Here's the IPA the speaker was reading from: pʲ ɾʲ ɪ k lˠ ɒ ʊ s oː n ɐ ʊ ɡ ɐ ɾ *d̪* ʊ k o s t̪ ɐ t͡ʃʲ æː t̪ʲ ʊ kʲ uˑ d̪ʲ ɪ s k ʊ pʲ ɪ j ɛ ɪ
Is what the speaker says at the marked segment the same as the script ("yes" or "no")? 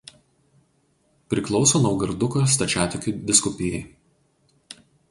yes